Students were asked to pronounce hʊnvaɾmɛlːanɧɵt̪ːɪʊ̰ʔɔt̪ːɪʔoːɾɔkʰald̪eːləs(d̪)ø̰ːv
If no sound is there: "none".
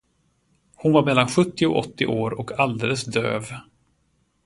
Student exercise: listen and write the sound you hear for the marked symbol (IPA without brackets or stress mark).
d̪